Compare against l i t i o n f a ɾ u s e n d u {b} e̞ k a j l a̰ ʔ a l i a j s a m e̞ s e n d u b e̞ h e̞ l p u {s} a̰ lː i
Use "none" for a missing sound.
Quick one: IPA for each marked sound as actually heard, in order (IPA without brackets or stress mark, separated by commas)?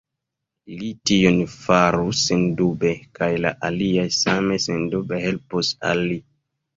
b, s